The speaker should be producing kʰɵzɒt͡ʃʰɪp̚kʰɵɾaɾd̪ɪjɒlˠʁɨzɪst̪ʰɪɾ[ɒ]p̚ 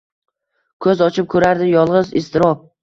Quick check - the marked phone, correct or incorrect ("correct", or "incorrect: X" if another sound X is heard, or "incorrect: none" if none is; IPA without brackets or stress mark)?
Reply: correct